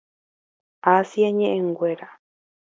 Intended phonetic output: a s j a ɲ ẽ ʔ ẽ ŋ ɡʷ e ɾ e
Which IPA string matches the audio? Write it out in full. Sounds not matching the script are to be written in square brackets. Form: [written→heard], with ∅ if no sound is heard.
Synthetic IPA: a s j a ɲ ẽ ʔ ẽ ŋ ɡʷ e ɾ [e→a]